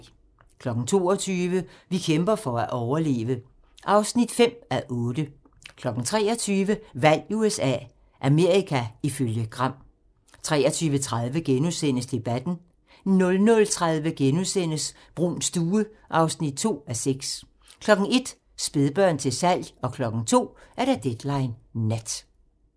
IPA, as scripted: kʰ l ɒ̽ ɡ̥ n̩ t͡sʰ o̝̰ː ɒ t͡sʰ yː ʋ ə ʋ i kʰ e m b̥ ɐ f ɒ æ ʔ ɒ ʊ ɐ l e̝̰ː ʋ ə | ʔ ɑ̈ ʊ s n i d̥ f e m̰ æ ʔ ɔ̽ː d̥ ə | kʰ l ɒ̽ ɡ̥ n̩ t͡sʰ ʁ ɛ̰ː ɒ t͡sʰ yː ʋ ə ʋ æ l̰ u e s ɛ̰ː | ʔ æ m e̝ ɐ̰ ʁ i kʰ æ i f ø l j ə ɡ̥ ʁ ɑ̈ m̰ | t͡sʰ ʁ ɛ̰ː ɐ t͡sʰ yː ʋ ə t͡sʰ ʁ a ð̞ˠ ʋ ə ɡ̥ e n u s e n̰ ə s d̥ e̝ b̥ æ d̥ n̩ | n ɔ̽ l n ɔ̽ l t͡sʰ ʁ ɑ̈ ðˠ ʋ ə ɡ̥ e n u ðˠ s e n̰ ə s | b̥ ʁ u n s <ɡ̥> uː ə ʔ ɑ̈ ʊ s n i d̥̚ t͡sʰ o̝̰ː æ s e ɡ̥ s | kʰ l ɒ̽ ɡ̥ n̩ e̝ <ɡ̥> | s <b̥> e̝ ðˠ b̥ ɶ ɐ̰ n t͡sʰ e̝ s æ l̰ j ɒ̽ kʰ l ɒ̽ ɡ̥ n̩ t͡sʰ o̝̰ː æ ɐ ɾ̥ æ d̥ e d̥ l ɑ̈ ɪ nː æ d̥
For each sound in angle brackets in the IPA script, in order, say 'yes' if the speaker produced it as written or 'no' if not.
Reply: no, no, yes

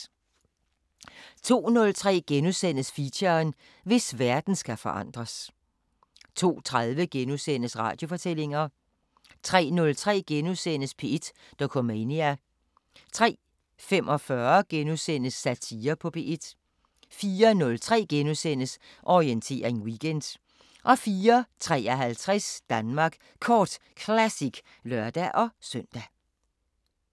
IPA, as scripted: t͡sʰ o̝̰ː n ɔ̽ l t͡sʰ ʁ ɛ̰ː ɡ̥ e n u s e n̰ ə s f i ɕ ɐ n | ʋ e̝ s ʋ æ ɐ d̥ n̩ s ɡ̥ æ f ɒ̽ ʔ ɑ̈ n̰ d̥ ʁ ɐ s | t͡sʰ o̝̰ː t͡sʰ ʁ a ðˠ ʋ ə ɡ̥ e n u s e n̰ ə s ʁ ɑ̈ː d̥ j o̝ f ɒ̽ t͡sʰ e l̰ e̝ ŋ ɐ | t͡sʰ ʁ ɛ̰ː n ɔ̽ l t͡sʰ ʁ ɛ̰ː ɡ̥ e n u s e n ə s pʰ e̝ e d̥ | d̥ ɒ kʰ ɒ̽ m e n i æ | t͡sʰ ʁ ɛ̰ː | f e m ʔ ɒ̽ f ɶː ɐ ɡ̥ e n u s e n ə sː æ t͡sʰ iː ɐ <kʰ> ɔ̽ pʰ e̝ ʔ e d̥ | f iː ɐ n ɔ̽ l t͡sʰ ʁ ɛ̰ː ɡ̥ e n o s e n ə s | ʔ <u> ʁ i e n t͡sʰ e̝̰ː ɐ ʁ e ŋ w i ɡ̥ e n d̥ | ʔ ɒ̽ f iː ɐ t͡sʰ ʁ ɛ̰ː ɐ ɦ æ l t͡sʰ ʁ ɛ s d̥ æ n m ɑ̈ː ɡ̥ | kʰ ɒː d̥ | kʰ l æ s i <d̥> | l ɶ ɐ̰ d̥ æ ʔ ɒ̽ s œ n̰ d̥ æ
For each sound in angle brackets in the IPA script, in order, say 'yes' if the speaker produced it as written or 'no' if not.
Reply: no, no, no

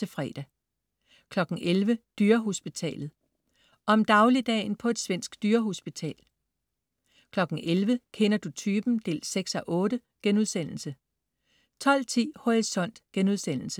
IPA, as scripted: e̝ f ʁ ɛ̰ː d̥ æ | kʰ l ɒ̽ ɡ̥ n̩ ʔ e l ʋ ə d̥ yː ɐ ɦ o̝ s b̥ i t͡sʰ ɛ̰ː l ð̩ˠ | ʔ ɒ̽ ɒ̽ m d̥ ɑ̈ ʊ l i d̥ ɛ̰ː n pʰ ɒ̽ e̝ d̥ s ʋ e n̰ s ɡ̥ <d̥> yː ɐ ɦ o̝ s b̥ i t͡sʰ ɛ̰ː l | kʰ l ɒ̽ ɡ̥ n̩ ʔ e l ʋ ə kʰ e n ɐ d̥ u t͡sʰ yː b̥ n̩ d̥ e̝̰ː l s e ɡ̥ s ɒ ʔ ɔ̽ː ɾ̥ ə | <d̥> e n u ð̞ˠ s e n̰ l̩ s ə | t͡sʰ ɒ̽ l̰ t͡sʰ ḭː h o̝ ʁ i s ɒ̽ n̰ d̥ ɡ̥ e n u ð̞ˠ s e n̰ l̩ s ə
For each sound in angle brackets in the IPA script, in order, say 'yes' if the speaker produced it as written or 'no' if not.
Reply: yes, no

